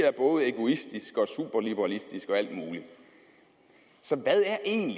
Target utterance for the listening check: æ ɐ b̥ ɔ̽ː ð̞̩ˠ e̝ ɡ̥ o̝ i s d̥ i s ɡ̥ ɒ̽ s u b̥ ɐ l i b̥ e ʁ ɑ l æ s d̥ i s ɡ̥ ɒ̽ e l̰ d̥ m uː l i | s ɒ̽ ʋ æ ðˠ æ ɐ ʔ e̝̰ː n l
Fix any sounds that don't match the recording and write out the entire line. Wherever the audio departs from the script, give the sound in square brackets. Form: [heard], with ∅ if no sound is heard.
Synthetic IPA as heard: æ ɐ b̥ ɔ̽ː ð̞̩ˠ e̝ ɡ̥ o̝ i s d̥ i s ɡ̥ ɒ̽ s u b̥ ɐ l i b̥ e ʁ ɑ l [i] s d̥ i s ɡ̥ ɒ̽ [æ] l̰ d̥ m uː l i | s ɒ̽ ʋ æ ðˠ æ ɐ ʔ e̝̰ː n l